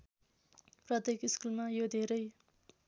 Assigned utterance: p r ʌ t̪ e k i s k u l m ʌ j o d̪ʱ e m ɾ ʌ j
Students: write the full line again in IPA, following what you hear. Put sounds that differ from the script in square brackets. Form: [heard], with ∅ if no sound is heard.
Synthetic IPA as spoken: p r ʌ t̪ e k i s k u l m [a] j o d̪ʱ e [∅] ɾ ʌ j